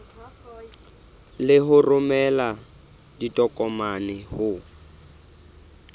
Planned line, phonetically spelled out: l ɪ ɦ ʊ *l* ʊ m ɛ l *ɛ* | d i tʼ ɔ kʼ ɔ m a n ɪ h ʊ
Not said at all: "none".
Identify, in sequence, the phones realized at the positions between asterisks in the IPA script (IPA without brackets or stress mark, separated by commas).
r, a